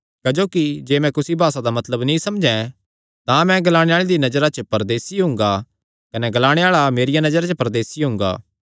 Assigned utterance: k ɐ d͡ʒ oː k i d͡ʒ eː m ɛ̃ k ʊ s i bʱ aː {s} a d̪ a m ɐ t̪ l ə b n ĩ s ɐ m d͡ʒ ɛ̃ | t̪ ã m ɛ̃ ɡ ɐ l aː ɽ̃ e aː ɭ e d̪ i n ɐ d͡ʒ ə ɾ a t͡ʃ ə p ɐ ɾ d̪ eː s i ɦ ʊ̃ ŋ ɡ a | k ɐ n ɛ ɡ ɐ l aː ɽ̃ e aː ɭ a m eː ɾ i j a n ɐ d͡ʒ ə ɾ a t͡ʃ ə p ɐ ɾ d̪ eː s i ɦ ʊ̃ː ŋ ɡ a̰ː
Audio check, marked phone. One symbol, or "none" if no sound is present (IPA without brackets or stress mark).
s